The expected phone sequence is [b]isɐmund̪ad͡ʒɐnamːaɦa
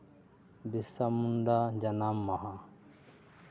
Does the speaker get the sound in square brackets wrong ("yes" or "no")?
no